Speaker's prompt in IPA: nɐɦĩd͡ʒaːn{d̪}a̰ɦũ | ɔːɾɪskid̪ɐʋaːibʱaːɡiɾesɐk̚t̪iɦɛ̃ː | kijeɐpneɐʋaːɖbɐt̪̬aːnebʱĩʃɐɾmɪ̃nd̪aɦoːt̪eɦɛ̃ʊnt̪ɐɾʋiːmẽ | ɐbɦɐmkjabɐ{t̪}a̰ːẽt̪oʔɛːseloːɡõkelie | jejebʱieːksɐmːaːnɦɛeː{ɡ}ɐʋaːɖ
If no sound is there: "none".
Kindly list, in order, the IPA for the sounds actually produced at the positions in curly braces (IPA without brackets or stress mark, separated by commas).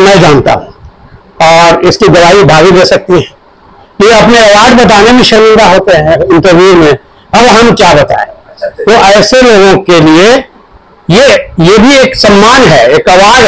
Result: t̪, t̪, k